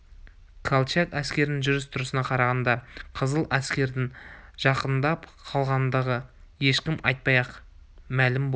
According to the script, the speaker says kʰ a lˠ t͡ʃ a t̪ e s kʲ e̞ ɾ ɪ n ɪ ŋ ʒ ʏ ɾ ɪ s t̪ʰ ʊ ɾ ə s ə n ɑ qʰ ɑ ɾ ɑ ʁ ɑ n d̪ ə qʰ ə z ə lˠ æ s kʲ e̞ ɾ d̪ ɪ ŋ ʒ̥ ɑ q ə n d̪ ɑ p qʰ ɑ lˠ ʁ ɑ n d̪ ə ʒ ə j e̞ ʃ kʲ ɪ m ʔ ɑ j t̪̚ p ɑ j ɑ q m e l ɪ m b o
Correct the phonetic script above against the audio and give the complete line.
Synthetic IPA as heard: kʰ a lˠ t͡ʃ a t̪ æ s kʲ e̞ ɾ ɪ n ɪ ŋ ʒ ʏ ɾ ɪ s t̪ʰ ʊ ɾ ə s ə n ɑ qʰ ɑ ɾ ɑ ʁ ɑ n d̪ ɑ qʰ ə z ə lˠ æ s kʲ e̞ ɾ d̪ ɪ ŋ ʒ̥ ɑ q ə n d̪ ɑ p qʰ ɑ lˠ ʁ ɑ n d̪ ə ʁ ə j e̞ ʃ kʲ ɪ m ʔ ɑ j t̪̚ p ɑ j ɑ q m æ l ɪ m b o